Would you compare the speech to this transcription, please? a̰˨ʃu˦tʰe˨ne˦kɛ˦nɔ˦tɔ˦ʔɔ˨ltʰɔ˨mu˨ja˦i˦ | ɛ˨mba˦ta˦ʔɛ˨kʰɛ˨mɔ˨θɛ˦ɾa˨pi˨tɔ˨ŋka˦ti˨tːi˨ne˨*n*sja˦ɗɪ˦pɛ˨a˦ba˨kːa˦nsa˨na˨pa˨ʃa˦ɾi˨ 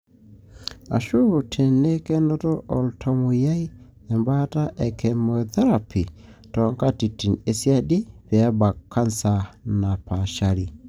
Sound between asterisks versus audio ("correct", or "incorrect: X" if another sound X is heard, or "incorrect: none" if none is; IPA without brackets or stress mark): incorrect: none